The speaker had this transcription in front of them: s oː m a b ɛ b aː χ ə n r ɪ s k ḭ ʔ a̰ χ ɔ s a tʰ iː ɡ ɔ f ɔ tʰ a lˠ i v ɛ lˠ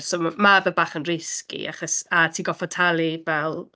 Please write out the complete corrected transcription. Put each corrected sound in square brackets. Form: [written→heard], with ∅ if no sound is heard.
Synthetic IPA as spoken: s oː m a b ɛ b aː χ ə n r ɪ s k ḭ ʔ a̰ χ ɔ s a tʰ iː ɡ ɔ f ɔ tʰ a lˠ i v ɛ lˠ